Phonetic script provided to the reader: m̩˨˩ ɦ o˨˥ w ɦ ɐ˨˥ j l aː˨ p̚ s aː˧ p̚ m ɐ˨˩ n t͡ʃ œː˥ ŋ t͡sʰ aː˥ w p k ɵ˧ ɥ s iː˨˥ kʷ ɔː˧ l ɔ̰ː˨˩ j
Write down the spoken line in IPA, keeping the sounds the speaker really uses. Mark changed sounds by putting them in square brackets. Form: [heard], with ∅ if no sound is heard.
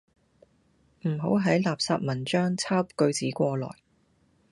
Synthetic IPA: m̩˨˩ ɦ o˨˥ w ɦ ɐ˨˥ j l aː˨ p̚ s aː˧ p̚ m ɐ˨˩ n t͡ʃ œː˥ ŋ t͡sʰ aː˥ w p k ɵ˧ ɥ [t͡s] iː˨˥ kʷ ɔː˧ l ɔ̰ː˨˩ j